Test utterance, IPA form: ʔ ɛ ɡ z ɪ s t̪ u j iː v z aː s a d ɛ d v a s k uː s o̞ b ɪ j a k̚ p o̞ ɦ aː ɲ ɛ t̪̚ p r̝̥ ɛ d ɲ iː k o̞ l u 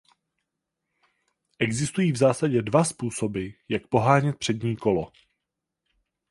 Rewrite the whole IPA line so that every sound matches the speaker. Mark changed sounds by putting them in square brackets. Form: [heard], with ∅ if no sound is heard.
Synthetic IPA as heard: ʔ ɛ ɡ z ɪ s t̪ u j iː v z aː s a [ɟ] ɛ d v a s [p] uː s o̞ b ɪ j a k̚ p o̞ ɦ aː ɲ ɛ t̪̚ p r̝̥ ɛ d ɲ iː k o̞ l [o]

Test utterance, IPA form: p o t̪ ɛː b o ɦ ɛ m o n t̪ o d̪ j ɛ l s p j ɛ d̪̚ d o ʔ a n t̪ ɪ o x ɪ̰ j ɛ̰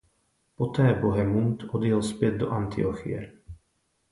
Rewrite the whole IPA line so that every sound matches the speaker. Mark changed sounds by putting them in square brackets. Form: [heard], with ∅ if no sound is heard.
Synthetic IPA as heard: p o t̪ ɛː b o ɦ ɛ m [u] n t̪ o d̪ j ɛ l s p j ɛ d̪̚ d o ʔ a n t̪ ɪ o x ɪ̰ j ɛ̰

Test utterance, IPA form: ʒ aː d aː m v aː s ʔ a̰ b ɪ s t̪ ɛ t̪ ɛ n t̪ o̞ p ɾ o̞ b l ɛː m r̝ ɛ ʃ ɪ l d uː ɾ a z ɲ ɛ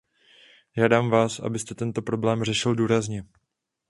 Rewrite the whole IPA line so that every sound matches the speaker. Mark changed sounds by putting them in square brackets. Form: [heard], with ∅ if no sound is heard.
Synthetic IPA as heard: ʒ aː d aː m v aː s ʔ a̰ b ɪ s t̪ ɛ t̪ ɛ n t̪ o̞ p ɾ o̞ b l ɛː m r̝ ɛ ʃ ɪ l d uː ɾ a z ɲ ɛ

